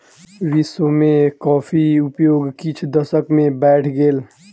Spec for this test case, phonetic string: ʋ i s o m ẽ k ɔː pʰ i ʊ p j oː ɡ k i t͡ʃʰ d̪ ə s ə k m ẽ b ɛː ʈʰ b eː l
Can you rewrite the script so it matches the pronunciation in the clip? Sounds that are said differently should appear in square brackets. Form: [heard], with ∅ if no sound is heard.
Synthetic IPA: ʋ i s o m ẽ k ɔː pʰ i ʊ p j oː ɡ k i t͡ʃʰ d̪ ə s ə k m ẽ b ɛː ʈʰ [ɡ] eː l